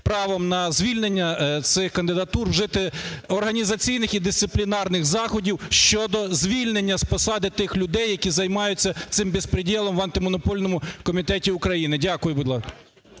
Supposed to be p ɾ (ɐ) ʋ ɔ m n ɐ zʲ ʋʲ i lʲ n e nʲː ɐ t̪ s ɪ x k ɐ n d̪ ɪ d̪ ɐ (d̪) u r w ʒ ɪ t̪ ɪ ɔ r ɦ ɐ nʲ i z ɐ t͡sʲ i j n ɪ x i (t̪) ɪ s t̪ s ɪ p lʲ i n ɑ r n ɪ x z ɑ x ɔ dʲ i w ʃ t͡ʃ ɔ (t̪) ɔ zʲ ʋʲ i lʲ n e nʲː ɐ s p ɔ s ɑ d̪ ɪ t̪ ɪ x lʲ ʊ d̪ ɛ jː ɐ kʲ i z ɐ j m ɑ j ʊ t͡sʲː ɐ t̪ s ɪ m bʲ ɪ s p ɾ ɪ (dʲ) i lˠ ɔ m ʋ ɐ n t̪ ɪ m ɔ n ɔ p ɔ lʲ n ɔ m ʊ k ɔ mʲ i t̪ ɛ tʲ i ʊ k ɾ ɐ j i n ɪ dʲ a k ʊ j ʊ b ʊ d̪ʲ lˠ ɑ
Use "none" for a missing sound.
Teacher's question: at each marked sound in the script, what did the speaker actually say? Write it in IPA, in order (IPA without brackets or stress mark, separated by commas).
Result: ɑ, t̪, d̪, d̪, dʲ